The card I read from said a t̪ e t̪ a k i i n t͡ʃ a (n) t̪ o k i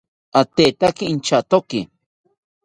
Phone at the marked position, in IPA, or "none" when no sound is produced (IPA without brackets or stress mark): none